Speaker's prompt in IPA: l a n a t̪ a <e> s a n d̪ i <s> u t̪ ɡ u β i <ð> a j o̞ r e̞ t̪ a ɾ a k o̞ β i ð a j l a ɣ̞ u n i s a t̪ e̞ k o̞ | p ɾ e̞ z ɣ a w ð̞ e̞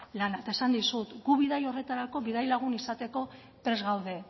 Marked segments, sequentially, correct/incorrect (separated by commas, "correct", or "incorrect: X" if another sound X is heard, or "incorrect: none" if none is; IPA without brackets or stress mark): correct, correct, correct